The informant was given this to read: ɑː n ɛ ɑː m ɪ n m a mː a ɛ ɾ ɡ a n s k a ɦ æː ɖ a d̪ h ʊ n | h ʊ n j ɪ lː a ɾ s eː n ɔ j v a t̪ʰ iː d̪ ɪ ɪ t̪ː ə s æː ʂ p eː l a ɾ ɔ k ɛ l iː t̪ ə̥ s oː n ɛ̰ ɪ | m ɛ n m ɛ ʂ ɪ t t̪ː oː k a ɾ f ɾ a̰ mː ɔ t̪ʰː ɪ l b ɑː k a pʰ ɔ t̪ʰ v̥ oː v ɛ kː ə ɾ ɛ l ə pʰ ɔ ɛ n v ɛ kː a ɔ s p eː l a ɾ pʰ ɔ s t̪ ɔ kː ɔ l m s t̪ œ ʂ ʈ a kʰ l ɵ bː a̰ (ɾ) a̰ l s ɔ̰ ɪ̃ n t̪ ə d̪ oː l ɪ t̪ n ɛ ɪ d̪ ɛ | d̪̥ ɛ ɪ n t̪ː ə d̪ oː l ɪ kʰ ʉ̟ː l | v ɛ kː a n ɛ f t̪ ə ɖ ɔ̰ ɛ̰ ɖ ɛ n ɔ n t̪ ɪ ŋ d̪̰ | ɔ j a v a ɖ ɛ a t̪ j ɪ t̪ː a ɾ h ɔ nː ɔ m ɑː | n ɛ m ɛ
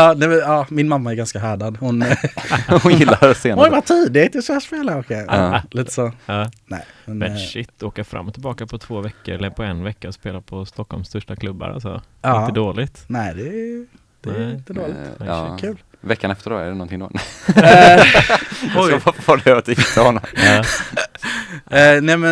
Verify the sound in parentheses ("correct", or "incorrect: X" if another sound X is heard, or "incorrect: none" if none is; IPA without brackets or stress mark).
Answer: correct